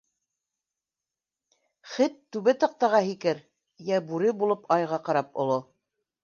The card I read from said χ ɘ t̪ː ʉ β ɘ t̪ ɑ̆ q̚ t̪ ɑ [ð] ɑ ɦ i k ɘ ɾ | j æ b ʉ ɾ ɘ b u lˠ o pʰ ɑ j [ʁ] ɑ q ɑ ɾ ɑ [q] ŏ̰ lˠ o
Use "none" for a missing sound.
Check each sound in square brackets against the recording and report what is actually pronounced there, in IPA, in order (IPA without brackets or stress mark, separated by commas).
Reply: ʁ, ʁ, p